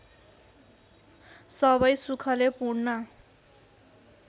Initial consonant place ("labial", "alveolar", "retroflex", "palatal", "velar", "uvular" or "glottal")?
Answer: alveolar